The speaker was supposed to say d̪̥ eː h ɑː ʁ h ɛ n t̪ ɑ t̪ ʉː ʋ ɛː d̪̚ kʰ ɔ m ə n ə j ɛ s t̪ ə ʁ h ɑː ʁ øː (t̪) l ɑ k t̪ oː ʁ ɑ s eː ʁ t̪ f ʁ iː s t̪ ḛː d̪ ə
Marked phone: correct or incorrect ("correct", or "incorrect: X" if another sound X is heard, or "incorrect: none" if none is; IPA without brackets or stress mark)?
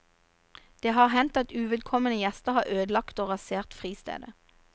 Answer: incorrect: d̪